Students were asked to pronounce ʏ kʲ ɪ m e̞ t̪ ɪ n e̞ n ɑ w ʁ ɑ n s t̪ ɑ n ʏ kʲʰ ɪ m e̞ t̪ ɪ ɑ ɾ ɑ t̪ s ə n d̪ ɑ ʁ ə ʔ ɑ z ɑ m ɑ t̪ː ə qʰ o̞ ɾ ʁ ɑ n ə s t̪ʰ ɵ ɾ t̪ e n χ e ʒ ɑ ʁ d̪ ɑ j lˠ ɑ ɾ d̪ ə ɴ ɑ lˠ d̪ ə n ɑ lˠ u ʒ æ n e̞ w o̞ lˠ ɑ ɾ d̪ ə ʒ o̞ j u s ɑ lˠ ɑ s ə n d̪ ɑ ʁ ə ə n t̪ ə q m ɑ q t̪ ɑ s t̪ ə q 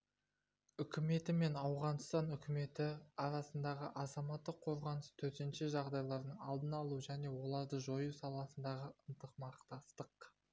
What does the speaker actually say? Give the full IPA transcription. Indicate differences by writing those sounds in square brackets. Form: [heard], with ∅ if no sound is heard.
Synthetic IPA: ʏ kʲ ɪ m e̞ t̪ ɪ [m] e̞ n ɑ w ʁ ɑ n s t̪ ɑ n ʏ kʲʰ ɪ m e̞ t̪ ɪ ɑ ɾ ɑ [∅] s ə n d̪ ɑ ʁ ə ʔ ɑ z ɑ m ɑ t̪ː ə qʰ o̞ ɾ ʁ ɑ n ə s t̪ʰ ɵ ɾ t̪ e n [ʃ] e ʒ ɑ ʁ d̪ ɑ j lˠ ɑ ɾ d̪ ə ɴ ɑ lˠ d̪ ə n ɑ lˠ u ʒ æ n e̞ w o̞ lˠ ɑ ɾ d̪ ə ʒ o̞ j u s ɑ lˠ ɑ s ə n d̪ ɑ ʁ ə ə n t̪ ə q m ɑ q t̪ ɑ s t̪ ə q

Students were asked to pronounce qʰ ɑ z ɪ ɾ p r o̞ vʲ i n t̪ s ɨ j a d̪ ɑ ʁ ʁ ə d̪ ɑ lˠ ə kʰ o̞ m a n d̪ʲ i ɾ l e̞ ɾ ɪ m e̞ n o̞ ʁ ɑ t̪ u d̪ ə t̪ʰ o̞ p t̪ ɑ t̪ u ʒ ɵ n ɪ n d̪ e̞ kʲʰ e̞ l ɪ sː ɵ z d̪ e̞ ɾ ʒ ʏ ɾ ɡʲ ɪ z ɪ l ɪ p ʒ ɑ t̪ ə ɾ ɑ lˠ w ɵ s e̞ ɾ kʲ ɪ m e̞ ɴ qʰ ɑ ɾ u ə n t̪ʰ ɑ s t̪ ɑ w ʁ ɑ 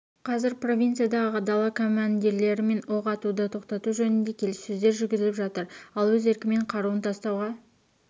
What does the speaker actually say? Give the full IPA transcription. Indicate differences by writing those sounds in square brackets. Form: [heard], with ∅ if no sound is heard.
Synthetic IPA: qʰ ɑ z ɪ ɾ p r o̞ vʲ i n t̪ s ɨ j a d̪ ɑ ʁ ʁ ə d̪ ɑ lˠ [ɑ] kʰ o̞ m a n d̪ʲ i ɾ l e̞ ɾ ɪ m e̞ n o̞ ʁ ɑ t̪ u d̪ ə t̪ʰ o̞ [q] t̪ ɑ t̪ u ʒ ɵ n ɪ n d̪ e̞ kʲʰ e̞ l ɪ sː ɵ z d̪ e̞ ɾ ʒ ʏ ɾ ɡʲ ɪ z ɪ l ɪ p ʒ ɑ t̪ ə ɾ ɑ lˠ w ɵ [z] e̞ ɾ kʲ ɪ m e̞ ɴ qʰ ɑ ɾ u ə n t̪ʰ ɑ s t̪ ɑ w ʁ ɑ

